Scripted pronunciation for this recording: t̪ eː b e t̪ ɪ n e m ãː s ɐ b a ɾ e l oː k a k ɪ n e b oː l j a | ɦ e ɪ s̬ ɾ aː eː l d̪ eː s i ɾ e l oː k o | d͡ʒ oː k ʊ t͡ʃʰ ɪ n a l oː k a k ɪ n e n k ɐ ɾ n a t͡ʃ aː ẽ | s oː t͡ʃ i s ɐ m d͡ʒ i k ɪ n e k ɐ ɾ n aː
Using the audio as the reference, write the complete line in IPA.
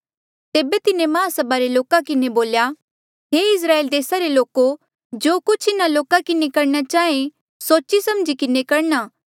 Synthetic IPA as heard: t̪ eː b e t̪ ɪ n e m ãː s ɐ b a ɾ e l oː k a k ɪ n e b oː l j a | ɦ e ɪ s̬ ɾ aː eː l d̪ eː s a ɾ e l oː k o | d͡ʒ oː k ʊ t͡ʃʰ ɪ n a l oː k a k ɪ n e k ɐ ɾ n a t͡ʃ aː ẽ | s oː t͡ʃ i s ɐ m d͡ʒ i k ɪ n e k ɐ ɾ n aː